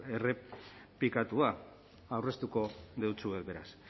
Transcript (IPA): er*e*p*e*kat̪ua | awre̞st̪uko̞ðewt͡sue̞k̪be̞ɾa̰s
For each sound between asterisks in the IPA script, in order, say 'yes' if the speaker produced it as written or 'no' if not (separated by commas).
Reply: yes, no